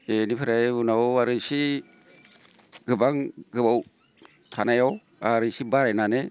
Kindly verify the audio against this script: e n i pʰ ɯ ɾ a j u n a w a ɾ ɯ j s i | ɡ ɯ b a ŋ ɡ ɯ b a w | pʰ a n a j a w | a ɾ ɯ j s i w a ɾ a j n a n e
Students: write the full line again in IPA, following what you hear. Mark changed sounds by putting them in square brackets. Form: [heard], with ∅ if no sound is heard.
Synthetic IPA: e n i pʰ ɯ ɾ a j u n a w a ɾ ɯ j s i | ɡ ɯ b a ŋ ɡ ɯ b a w | [tʰ] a n a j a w | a ɾ ɯ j s i [b] a ɾ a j n a n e